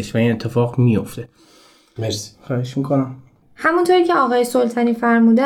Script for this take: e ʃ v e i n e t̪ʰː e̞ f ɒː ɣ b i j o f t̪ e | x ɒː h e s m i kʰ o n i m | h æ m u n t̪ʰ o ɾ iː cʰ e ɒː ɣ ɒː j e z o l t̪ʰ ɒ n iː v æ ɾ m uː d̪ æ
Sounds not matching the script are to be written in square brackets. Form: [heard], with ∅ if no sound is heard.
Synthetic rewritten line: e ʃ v [æ] i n e t̪ʰː e̞ f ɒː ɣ [m] i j o f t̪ e | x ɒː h e [ʃ] m i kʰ o n [æ] m | h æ m u n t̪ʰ o ɾ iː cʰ e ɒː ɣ ɒː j e [s] o l t̪ʰ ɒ n iː [f] æ ɾ m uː d̪ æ